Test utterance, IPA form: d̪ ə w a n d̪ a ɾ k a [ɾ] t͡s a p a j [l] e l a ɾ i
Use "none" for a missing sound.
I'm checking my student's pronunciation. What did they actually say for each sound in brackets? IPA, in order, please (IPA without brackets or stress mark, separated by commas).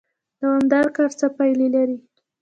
ɾ, l